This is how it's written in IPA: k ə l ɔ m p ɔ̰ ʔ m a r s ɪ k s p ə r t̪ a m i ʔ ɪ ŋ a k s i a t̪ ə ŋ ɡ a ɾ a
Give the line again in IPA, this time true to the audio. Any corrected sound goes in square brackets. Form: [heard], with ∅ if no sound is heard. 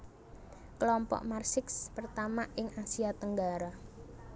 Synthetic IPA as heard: k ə l ɔ m p ɔ̰ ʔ m a r s ɪ k s p ə r t̪ a m [a] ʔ ɪ ŋ a [∅] s i a t̪ ə ŋ ɡ a ɾ a